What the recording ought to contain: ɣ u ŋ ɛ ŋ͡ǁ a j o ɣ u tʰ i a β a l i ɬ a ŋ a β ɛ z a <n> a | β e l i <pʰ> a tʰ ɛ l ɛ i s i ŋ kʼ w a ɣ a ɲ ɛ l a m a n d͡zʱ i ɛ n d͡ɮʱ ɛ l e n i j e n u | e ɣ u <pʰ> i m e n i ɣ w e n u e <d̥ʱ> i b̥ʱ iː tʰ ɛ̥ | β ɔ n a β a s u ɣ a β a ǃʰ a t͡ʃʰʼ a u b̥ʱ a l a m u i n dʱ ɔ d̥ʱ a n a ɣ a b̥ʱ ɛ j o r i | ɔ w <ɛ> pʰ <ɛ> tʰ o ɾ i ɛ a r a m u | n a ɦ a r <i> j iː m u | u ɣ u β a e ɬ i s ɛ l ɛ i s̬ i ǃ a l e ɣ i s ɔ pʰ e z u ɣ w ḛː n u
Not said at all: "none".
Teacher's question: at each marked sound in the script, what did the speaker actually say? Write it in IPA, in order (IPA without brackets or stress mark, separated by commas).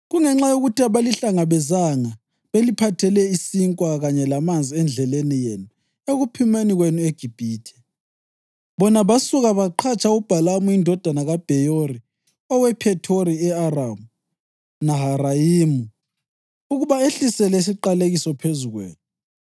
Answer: ŋ, pʰ, pʰ, ɡ̥ʱ, ɛ, ɛ, a